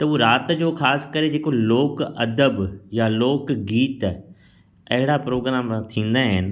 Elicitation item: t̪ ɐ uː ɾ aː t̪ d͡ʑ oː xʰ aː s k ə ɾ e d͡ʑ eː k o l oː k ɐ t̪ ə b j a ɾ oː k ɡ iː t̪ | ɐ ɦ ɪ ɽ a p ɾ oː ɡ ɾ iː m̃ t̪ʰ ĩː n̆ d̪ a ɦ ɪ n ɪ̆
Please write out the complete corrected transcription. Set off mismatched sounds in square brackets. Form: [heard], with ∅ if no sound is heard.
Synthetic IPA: t̪ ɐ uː ɾ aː t̪ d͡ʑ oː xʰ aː s k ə ɾ e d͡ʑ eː k o l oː k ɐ [d̪] ə b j a [l] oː k ɡ iː t̪ | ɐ ɦ ɪ ɽ a p ɾ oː ɡ ɾ [aː] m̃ t̪ʰ ĩː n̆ d̪ a ɦ ɪ n ɪ̆